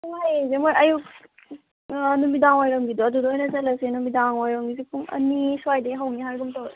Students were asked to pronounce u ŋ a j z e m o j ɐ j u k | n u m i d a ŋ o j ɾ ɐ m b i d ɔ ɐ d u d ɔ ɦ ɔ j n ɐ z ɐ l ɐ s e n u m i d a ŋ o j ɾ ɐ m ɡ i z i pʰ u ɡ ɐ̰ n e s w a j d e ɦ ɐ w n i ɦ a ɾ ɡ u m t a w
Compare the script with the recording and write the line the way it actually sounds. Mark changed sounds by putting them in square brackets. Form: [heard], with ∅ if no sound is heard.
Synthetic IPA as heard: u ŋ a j z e m o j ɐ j u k | n u m i d a ŋ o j ɾ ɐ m [ɡ] i d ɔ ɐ d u d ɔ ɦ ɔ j n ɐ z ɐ l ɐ s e n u m i d a ŋ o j ɾ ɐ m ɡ i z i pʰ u [ŋ] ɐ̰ n [i] s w a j d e ɦ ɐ w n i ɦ a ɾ ɡ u m t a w